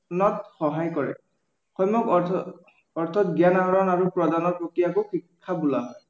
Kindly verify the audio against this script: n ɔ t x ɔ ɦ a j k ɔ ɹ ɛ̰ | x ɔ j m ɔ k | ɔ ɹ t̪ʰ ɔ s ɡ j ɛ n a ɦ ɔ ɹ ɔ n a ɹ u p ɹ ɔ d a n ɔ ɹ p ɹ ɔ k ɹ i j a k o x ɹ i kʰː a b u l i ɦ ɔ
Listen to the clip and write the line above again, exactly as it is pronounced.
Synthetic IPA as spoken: n ɔ t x ɔ ɦ a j k ɔ ɹ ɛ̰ | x ɔ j m ɔ k | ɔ ɹ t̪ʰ ɔ t ɡ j a n a ɦ ɔ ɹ ɔ n a ɹ u p ɹ ɔ d a n ɔ ɹ p ɹ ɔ k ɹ i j a k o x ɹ i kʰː a b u l a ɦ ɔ